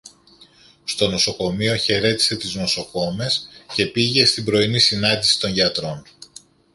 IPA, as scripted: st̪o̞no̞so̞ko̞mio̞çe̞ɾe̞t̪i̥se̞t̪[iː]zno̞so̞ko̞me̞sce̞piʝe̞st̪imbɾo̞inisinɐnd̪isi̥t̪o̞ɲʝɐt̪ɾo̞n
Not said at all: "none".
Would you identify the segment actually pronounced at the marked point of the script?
i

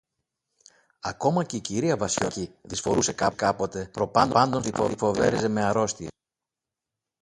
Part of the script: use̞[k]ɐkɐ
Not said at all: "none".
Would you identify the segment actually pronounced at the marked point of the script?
k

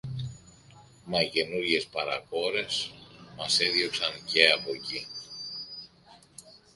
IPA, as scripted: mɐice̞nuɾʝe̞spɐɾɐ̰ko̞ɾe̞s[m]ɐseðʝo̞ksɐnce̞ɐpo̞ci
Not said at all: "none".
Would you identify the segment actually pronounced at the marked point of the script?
m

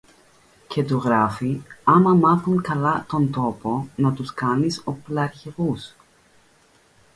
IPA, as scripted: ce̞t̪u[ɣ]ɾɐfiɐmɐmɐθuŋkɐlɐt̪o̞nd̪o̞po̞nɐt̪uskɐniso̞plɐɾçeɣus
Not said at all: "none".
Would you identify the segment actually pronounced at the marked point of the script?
ɣ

